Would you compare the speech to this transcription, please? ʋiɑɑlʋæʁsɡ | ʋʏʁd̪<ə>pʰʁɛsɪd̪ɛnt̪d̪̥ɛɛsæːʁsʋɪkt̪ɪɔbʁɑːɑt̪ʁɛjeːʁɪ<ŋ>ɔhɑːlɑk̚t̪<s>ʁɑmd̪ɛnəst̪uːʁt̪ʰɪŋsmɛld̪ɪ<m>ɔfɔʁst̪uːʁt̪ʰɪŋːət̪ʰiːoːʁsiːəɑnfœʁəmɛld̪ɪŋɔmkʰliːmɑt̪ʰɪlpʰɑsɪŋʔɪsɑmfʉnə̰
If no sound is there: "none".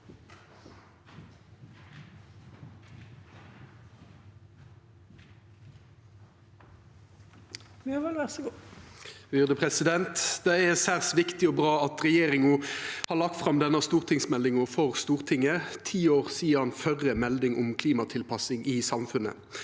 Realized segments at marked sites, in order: ə, ŋ, f, ŋ

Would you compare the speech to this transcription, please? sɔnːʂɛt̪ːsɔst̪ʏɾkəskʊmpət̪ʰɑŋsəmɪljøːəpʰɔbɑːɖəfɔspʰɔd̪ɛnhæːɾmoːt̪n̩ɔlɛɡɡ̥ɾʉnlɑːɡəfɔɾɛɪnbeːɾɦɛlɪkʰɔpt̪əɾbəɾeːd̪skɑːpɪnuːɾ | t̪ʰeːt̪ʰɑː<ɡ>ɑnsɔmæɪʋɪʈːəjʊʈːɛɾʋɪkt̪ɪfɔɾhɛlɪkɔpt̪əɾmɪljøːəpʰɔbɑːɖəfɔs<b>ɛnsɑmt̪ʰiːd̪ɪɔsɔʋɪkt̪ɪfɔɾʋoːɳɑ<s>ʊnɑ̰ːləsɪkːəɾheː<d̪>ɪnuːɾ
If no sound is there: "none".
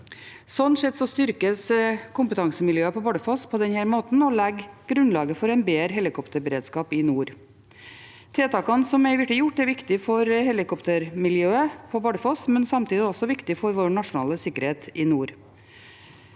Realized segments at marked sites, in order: k, m, ʂ, t̪

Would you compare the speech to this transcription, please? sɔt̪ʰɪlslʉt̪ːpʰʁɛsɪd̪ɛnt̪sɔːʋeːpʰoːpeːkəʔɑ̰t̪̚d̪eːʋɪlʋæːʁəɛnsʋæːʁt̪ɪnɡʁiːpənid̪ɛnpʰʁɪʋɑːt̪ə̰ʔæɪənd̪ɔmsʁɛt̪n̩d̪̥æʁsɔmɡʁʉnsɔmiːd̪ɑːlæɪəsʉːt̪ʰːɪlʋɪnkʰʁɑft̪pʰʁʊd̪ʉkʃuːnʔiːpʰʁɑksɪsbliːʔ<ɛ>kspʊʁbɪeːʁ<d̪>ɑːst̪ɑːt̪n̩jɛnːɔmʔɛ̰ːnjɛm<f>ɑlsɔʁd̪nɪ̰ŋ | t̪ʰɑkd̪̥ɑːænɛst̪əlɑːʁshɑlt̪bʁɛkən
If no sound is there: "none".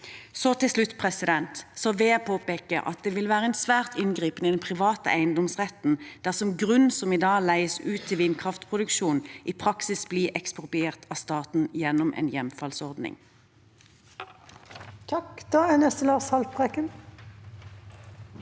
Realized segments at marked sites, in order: ɛ, t̪, f

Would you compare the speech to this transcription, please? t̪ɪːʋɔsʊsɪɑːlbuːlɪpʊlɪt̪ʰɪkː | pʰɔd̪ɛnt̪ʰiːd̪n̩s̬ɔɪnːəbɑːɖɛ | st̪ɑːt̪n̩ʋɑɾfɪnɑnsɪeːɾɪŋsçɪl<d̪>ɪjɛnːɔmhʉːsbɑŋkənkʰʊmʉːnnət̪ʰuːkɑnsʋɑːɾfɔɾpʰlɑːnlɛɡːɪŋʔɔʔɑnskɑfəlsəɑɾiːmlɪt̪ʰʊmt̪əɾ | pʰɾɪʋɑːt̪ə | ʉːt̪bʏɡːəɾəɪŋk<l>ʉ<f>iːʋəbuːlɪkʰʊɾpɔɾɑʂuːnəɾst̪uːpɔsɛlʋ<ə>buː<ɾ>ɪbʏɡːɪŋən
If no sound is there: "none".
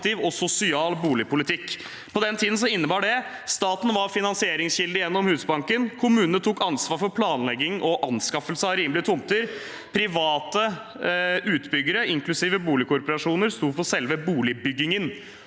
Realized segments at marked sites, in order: d̪, l, s, ə, l

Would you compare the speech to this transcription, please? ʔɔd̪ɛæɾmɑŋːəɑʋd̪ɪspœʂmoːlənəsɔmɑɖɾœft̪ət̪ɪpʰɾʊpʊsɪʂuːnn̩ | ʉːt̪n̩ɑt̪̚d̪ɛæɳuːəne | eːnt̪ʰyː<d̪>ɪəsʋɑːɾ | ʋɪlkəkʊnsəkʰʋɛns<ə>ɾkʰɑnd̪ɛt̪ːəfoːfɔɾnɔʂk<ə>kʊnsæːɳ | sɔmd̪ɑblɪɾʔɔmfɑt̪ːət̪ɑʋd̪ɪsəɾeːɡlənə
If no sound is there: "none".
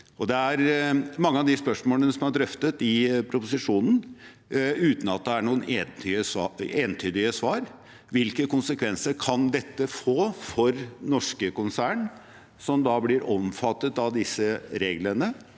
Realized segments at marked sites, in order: d̪, ə, ə

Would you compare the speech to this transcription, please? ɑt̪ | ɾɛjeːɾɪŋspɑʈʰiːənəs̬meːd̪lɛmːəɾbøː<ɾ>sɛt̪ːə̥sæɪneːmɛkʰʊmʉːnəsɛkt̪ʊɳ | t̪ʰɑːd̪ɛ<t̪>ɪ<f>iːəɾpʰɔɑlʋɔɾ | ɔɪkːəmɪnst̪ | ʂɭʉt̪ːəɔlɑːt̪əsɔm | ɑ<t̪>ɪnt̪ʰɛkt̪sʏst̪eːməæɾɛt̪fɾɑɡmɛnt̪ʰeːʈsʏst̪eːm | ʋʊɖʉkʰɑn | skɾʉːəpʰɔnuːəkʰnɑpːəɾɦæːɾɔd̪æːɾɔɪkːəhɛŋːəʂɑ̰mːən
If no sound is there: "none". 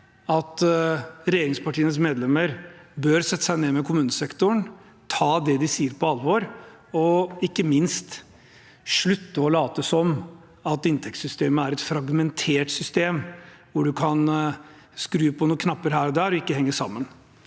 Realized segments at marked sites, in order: ɾ, d̪, s, t̪

